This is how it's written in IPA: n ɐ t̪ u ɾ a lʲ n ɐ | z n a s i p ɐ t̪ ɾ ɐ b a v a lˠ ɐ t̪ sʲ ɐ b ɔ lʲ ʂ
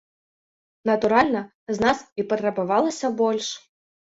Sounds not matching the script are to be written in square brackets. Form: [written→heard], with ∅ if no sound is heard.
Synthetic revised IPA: n ɐ t̪ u ɾ a lʲ n ɐ | z n a s i p ɐ t̪ ɾ ɐ b a v a lˠ ɐ [t̪→∅] sʲ ɐ b ɔ lʲ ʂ